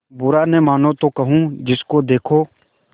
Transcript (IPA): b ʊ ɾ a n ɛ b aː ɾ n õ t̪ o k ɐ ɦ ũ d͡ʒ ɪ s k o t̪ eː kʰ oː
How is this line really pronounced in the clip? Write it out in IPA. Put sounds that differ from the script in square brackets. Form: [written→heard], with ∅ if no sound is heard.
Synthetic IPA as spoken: b ʊ ɾ a n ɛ [b→m] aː [ɾ→∅] n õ t̪ o k ɐ ɦ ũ d͡ʒ ɪ s k o [t̪→d̪] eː kʰ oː